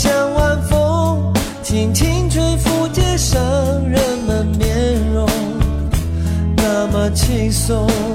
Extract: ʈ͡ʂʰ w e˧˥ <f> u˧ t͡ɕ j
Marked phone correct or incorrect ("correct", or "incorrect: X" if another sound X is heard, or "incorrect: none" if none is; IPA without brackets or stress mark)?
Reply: correct